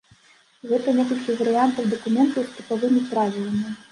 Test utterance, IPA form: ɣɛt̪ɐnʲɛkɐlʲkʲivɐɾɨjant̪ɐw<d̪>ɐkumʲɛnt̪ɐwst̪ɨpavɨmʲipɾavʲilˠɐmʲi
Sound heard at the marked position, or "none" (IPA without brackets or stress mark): d̪